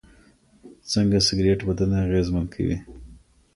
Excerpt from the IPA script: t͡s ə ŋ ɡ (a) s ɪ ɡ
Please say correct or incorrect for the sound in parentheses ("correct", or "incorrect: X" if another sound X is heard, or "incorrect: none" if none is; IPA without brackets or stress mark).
correct